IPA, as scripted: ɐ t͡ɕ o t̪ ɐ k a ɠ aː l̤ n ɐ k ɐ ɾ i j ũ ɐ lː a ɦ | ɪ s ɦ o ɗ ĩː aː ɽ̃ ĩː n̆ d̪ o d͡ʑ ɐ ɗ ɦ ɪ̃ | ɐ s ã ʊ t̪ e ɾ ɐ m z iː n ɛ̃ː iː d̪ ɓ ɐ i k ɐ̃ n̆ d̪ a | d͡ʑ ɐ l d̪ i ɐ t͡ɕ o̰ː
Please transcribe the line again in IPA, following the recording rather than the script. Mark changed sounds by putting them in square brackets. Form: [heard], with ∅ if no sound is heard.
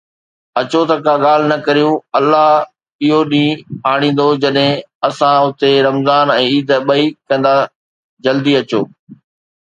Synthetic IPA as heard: ɐ t͡ɕ o t̪ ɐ k a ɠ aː l̤ n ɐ k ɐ ɾ i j ũ ɐ lː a ɦ | ɪ [∅] ɦ o ɗ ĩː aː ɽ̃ ĩː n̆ d̪ o d͡ʑ ɐ ɗ ɦ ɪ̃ | ɐ s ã ʊ t̪ e ɾ ɐ m z [aː] n ɛ̃ː iː d̪ ɓ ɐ i k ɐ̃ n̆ d̪ a | d͡ʑ ɐ l d̪ i ɐ t͡ɕ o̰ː

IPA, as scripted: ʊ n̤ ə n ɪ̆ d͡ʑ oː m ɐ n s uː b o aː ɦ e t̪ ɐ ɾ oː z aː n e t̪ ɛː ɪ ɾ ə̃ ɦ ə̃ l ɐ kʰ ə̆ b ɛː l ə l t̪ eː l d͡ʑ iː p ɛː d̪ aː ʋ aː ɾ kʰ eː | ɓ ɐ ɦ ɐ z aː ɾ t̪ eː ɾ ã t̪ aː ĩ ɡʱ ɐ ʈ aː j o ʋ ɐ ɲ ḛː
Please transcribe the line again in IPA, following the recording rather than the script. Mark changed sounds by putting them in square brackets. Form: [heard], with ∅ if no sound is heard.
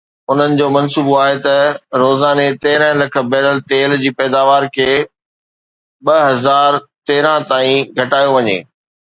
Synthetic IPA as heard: ʊ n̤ ə n ɪ̆ d͡ʑ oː m ɐ n s uː b o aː ɦ e t̪ ɐ ɾ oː z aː n e t̪ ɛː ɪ ɾ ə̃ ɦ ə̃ l ɐ kʰ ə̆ b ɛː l ə l t̪ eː l d͡ʑ iː p ɛː d̪ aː ʋ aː ɾ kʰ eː | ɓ ɐ ɦ ɐ z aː ɾ t̪ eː ɾ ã t̪ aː ĩ ɡʱ ɐ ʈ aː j o ʋ ɐ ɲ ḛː

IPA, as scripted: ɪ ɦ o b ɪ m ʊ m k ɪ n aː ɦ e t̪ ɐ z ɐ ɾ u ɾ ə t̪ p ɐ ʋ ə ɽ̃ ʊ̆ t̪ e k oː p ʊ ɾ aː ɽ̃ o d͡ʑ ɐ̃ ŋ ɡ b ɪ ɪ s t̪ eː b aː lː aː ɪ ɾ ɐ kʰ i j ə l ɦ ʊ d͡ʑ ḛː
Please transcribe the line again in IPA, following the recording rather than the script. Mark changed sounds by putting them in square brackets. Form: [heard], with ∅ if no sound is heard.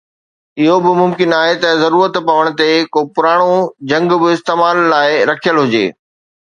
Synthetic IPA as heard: ɪ ɦ o b ɪ m ʊ m k ɪ n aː ɦ e t̪ ɐ z ɐ ɾ [uː] ɾ ə t̪ p ɐ ʋ ə ɽ̃ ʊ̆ t̪ e k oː p ʊ ɾ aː ɽ̃ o d͡ʑ ɐ̃ ŋ ɡ b ɪ ɪ s t̪ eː [m] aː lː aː ɪ ɾ ɐ kʰ i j ə l ɦ ʊ d͡ʑ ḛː

